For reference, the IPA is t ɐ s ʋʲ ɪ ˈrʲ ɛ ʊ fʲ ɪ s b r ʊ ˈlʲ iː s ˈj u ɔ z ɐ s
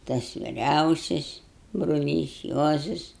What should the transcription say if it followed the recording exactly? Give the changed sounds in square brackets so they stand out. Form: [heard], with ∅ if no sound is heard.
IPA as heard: t ɐ s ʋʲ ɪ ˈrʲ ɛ ʊ [sʲ] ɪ s b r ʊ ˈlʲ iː s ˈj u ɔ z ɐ s